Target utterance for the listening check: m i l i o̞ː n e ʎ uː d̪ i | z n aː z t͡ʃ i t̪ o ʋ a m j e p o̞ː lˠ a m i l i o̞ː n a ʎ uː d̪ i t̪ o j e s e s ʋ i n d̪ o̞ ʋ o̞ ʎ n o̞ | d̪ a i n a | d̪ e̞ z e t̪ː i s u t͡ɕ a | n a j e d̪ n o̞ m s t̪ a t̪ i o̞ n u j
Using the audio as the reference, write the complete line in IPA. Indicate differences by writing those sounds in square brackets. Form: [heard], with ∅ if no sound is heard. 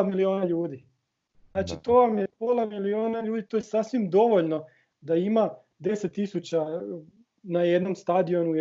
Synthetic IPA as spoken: m i l i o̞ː n [a] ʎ uː d̪ i | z n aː [∅] t͡ʃ i t̪ o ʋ a m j e p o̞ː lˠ a m i l i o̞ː n a ʎ uː d̪ i t̪ o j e s [a] s ʋ i [m] d̪ o̞ ʋ o̞ ʎ n o̞ | d̪ a i [m] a | d̪ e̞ [s] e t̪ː i s u t͡ɕ a | n a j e d̪ n o̞ m s t̪ a [d̪] i o̞ n u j